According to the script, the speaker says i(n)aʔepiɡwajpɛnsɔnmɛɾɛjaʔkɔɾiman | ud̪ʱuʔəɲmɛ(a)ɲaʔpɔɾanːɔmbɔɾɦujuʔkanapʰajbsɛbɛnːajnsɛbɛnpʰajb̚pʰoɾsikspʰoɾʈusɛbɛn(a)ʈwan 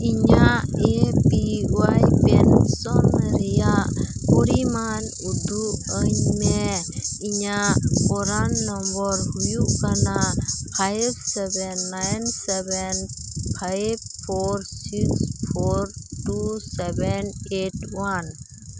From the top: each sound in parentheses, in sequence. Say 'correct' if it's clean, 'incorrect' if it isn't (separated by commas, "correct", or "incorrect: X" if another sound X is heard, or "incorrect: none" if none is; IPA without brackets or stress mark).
incorrect: ɲ, incorrect: i, incorrect: e